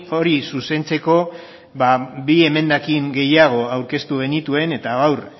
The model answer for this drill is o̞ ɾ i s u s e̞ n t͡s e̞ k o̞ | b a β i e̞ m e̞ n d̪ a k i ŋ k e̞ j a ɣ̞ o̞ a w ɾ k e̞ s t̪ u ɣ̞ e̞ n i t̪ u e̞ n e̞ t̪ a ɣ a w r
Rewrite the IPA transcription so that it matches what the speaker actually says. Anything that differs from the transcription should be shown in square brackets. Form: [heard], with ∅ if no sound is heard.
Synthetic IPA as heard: o̞ ɾ i s u s e̞ n t͡s e̞ k o̞ | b a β i e̞ m e̞ n d̪ a k i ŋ [ɡ] e̞ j a ɣ̞ o̞ a w ɾ k e̞ s t̪ u ɣ̞ e̞ n i t̪ u e̞ n e̞ t̪ a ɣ a w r

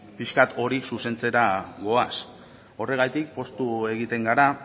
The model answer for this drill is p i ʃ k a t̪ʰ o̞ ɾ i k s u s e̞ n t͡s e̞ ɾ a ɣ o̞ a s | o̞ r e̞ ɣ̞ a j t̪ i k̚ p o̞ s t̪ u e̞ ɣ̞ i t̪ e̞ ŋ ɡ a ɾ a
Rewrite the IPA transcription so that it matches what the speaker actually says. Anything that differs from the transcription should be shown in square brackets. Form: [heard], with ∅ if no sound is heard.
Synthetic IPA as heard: p i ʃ k a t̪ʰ o̞ ɾ i k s u s e̞ n t͡s e̞ ɾ a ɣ o̞ a s | o̞ r e̞ ɣ̞ a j t̪ i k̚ p o̞ s t̪ u e̞ ɣ̞ i t̪ e̞ ŋ ɡ a ɾ a

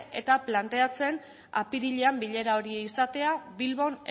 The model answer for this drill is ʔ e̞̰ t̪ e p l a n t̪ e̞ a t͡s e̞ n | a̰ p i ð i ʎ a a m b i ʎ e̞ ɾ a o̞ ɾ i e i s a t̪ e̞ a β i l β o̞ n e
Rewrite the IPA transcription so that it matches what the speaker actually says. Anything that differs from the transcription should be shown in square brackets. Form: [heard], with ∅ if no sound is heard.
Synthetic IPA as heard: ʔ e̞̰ t̪ [a] p l a n t̪ e̞ a t͡s e̞ n | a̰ p i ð i ʎ [e] a m b i ʎ e̞ ɾ a o̞ ɾ i e i s a t̪ e̞ a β i l β o̞ n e

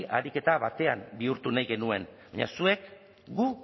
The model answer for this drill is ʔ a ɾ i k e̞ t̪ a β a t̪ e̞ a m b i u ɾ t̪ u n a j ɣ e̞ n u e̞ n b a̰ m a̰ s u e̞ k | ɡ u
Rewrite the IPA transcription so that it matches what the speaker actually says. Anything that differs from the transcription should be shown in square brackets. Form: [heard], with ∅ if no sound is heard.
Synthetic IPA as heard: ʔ a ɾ i k e̞ t̪ a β a t̪ e̞ a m b i u ɾ t̪ u n a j ɣ e̞ n u e̞ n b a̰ [ɲ] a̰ s u e̞ k | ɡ u

